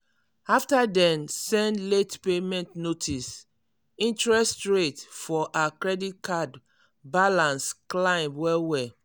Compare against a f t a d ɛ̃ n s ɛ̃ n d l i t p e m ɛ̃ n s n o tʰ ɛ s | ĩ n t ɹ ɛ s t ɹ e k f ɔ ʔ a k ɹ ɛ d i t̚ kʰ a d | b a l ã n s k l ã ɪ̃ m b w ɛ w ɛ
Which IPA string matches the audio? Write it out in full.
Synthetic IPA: a f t a d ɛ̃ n s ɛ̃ n d l e t p e m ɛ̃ n t n o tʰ i s | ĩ n t ɹ ɛ s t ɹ e t f ɔ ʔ a k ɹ ɛ d i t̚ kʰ a d | b a l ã n s k l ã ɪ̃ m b w ɛ w ɛ